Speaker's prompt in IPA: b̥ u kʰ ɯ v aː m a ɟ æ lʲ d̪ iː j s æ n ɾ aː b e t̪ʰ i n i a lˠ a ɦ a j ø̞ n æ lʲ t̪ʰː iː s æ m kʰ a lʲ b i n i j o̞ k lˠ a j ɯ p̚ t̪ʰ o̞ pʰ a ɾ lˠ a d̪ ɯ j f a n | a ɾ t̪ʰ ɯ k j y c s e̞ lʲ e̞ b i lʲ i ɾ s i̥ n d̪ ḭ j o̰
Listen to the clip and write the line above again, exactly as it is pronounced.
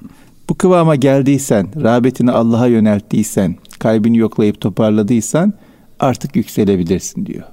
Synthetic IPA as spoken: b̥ u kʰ ɯ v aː m a ɟ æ lʲ d̪ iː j s æ n ɾ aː b e t̪ʰ i n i a lˠː a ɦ a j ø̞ n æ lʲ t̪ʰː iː s æ n kʰ a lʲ b i n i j o̞ k lˠ a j ɯ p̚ t̪ʰ o̞ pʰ a ɾ lˠ a d̪ ɯ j s a n | a ɾ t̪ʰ ɯ k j y c s e̞ lʲ e̞ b i lʲ i ɾ s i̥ n d̪ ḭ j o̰